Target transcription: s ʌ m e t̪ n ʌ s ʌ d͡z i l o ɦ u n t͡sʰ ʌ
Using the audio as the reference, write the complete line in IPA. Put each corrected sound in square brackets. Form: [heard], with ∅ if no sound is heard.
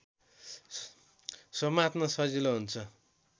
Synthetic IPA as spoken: s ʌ m [a] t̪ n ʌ s ʌ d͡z i l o ɦ u n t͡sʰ ʌ